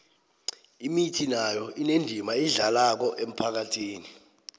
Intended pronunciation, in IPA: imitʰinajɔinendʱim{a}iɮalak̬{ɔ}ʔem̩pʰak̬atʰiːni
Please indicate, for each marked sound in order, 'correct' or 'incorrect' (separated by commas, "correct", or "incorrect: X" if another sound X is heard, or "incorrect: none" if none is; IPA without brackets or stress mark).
correct, correct